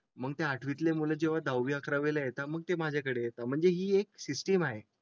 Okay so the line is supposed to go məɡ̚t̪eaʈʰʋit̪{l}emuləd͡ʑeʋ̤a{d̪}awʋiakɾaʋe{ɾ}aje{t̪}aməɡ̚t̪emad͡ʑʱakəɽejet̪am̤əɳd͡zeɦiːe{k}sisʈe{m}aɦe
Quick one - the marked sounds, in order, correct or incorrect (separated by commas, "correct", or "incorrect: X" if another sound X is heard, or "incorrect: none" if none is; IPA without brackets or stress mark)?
correct, correct, incorrect: l, correct, correct, correct